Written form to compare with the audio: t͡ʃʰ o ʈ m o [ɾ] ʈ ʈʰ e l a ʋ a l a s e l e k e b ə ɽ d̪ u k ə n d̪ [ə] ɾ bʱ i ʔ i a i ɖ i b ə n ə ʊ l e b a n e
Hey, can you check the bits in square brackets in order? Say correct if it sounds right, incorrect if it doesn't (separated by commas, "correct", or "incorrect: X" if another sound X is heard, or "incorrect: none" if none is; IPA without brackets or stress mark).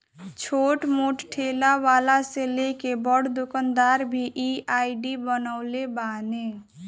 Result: incorrect: none, incorrect: a